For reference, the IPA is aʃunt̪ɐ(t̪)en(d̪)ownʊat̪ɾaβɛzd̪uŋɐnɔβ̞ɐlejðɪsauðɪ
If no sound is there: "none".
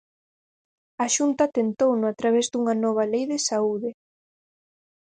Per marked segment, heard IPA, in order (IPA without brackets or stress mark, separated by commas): t̪, t̪